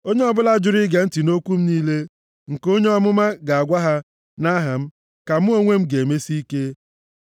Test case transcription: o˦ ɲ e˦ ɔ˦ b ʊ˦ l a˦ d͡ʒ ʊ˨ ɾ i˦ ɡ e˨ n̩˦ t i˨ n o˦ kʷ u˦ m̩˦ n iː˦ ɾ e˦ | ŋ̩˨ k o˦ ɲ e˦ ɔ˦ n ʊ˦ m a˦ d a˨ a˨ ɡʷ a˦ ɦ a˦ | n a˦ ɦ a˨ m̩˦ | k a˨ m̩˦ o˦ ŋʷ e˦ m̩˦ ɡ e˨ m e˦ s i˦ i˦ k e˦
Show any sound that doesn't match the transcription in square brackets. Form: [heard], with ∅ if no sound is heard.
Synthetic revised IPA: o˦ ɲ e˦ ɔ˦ b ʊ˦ l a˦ d͡ʒ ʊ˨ ɾ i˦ ɡ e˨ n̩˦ t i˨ n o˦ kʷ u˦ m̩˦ n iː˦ [l] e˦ | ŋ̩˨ k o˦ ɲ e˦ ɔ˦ [m] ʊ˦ m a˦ [ɡ] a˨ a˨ ɡʷ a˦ ɦ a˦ | n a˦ ɦ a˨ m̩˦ | k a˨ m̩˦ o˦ ŋʷ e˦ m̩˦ ɡ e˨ m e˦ s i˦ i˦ k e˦

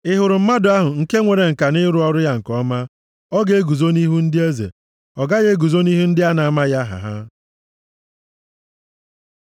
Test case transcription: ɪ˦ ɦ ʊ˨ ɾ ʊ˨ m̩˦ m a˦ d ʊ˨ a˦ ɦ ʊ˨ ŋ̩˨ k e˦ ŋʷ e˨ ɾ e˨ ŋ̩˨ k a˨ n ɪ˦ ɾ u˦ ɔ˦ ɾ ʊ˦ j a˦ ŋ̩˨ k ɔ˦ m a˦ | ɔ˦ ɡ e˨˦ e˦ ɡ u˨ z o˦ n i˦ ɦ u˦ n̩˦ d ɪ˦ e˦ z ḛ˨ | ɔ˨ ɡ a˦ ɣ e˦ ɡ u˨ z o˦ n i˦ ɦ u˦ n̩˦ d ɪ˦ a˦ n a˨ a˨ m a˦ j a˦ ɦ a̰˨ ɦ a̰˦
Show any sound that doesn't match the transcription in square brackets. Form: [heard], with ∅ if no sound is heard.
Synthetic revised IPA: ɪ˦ ɦ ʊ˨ ɾ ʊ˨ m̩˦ m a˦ d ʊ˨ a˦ ɦ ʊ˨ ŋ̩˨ k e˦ ŋʷ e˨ ɾ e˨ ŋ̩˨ k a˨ n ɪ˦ ɾ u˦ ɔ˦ ɾ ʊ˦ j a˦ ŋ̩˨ k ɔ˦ m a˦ | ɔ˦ ɡ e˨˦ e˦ ɡ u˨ z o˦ n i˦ ɦ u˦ n̩˦ d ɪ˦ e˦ z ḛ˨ | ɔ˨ ɡ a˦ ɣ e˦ ɡ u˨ z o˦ n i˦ ɦ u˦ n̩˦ d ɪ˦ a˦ n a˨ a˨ m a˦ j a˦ ɦ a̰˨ ɦ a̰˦

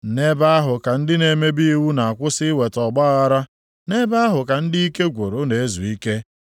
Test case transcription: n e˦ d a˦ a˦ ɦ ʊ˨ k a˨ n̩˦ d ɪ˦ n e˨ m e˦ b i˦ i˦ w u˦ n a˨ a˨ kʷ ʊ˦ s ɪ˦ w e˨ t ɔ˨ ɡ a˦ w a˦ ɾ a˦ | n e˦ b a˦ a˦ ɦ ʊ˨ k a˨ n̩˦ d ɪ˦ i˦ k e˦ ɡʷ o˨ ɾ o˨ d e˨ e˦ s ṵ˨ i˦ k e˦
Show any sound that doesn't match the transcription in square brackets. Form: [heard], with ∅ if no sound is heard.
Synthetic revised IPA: n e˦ [b] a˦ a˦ ɦ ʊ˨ k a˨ n̩˦ d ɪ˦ n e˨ m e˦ b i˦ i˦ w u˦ n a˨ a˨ kʷ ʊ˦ s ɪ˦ w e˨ t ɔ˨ [ɡ͡b] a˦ [ɣ] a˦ ɾ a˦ | n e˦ b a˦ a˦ ɦ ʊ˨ k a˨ n̩˦ d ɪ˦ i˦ k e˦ ɡʷ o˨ ɾ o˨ [n] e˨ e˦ [z] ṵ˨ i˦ k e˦

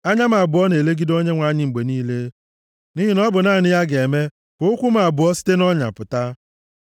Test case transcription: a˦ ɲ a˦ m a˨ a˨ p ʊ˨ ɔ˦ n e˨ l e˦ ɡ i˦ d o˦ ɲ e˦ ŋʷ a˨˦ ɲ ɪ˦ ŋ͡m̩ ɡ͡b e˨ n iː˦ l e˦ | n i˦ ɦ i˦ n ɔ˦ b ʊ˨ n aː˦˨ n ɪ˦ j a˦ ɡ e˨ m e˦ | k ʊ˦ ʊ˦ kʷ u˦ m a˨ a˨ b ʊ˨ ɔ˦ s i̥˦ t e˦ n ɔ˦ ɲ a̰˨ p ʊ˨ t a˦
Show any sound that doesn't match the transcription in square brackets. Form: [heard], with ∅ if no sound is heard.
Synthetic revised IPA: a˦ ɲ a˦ m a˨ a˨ [b] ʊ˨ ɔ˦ n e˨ l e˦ ɡ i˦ d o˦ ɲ e˦ ŋʷ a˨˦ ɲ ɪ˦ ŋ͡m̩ ɡ͡b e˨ n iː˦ l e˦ | n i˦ ɦ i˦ n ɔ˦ b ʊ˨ n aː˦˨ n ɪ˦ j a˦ ɡ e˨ m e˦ | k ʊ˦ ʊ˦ kʷ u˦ m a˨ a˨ b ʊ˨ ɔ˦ s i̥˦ t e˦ n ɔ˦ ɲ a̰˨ p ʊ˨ t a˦

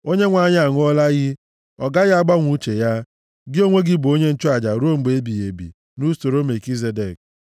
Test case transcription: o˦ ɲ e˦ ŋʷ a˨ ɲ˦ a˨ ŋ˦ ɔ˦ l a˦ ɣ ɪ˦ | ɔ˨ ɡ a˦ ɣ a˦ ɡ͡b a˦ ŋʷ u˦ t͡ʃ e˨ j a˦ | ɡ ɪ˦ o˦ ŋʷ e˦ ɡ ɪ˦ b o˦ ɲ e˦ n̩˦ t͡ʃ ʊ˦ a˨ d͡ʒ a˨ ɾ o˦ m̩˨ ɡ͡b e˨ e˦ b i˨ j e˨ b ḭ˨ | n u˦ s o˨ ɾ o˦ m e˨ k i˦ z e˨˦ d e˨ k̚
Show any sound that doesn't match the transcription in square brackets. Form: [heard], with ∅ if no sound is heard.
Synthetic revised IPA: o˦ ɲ e˦ ŋʷ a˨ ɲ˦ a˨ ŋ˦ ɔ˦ l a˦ ɣ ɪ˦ | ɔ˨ ɡ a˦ ɣ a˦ ɡ͡b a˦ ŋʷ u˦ t͡ʃ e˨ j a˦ | ɡ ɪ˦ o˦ ŋʷ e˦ ɡ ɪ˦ b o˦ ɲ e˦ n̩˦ t͡ʃ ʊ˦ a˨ d͡ʒ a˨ ɾ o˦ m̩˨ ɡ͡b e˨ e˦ b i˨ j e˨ b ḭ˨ | n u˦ s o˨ ɾ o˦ m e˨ k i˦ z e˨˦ d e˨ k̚

